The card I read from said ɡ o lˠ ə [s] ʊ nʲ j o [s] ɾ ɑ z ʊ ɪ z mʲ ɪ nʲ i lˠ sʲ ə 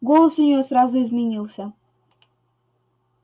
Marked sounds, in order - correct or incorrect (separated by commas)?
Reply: correct, correct